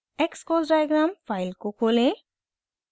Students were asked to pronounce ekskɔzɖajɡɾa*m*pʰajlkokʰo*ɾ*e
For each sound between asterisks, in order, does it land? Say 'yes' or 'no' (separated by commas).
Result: yes, no